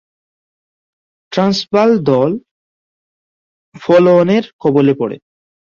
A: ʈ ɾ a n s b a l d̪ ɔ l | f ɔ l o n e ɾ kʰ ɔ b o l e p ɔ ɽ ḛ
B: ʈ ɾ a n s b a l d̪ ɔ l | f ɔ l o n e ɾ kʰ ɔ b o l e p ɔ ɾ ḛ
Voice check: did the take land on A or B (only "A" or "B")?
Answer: A